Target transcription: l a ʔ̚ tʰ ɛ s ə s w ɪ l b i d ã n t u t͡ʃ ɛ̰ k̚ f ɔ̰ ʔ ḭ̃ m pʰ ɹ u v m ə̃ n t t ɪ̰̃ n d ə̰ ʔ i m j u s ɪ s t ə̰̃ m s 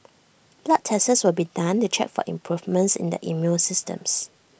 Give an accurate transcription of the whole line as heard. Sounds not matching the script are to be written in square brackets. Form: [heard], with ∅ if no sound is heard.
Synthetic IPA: l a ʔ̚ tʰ ɛ s ə s w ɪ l b i d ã n t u t͡ʃ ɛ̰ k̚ f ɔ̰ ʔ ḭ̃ m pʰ ɹ u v m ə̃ n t [s] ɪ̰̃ n d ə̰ ʔ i m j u s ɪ s t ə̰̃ m s